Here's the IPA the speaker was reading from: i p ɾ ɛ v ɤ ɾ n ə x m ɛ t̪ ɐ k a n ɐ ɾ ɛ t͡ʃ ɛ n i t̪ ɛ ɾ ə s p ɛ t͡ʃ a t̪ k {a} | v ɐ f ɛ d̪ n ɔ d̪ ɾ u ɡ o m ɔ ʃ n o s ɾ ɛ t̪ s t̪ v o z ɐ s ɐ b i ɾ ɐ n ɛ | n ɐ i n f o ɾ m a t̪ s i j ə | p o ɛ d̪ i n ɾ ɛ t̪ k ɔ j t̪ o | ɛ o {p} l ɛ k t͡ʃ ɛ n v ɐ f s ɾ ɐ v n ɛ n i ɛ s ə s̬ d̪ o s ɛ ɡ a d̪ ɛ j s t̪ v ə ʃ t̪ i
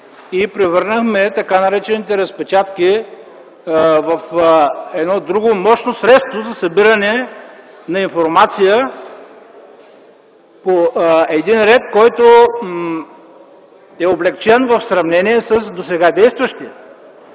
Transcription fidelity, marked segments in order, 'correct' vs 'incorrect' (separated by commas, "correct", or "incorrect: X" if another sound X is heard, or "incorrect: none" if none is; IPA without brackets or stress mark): incorrect: i, incorrect: b